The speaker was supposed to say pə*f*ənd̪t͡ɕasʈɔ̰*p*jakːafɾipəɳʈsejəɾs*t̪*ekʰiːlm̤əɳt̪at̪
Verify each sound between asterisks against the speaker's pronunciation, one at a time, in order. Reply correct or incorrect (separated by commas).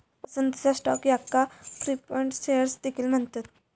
incorrect, incorrect, incorrect